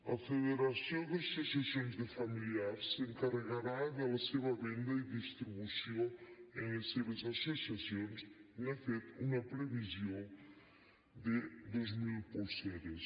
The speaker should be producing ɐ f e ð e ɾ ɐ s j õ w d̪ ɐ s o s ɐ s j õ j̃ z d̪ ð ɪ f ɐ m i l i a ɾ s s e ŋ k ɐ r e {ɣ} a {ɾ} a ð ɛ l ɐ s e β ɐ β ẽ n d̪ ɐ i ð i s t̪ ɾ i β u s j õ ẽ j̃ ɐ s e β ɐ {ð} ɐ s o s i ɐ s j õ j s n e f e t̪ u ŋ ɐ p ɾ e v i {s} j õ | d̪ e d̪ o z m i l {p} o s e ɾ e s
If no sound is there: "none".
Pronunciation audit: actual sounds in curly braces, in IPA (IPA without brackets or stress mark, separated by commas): ɣ, ɾ, z, z, p